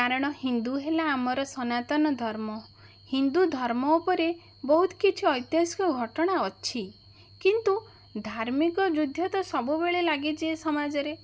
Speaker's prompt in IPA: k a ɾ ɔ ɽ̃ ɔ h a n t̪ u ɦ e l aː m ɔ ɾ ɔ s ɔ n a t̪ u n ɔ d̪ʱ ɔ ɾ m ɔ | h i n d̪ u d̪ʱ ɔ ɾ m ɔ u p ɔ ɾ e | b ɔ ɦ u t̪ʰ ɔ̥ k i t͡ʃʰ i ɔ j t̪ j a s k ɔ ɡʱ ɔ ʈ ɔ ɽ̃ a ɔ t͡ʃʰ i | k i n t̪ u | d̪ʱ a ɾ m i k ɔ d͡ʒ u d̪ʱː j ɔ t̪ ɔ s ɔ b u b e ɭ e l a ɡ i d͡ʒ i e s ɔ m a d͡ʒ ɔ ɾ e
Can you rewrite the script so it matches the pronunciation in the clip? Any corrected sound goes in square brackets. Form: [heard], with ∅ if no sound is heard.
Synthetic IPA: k a ɾ ɔ ɽ̃ ɔ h [i] n [d̪] u ɦ e l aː m ɔ ɾ ɔ s ɔ n a t̪ [ɔ] n ɔ d̪ʱ ɔ ɾ m ɔ | h i n d̪ u d̪ʱ ɔ ɾ m ɔ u p ɔ ɾ e | b ɔ ɦ u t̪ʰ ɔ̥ k i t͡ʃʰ i ɔ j t̪ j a s k ɔ ɡʱ ɔ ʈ ɔ ɽ̃ a ɔ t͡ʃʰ i | k i n t̪ u | d̪ʱ a ɾ m i k ɔ d͡ʒ u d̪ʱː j ɔ t̪ ɔ s ɔ b u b e ɭ e l a ɡ i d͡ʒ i e s ɔ m a d͡ʒ ɔ ɾ e